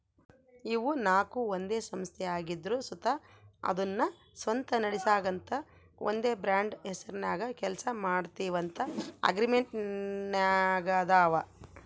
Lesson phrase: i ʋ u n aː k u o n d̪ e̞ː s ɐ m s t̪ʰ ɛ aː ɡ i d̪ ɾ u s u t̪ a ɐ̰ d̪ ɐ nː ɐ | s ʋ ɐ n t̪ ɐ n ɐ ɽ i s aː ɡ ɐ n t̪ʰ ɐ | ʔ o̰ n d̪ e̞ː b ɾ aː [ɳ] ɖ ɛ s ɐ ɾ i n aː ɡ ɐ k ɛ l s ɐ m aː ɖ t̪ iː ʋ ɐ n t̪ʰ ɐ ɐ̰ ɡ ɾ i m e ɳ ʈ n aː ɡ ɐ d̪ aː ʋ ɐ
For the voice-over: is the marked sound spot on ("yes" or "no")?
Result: yes